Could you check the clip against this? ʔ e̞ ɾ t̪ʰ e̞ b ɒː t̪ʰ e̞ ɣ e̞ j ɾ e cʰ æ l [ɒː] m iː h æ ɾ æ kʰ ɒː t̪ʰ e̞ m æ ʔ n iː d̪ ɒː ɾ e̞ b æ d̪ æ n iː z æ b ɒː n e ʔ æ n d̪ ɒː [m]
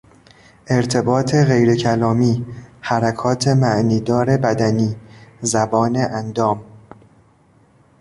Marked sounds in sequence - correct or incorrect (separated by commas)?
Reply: correct, correct